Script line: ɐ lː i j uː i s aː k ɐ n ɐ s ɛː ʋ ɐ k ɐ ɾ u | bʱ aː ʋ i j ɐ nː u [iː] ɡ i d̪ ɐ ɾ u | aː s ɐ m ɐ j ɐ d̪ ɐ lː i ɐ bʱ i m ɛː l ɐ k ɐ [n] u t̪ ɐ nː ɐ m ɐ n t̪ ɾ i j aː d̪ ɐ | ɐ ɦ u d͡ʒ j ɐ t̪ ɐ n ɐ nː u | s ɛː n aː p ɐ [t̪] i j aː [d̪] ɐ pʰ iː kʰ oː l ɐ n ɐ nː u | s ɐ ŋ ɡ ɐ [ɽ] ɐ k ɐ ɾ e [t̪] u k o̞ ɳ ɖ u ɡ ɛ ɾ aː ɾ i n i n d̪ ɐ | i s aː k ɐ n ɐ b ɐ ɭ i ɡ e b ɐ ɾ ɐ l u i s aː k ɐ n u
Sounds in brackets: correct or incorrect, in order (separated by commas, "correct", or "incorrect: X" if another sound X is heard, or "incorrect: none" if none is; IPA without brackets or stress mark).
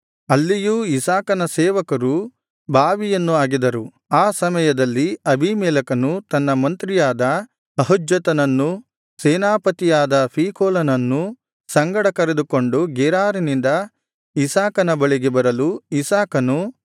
incorrect: aː, correct, correct, correct, correct, incorrect: d̪